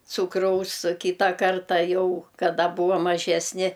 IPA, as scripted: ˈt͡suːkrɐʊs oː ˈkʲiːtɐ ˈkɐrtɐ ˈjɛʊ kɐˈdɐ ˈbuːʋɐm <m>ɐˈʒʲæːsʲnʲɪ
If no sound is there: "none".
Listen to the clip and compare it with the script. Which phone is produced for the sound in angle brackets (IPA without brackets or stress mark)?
m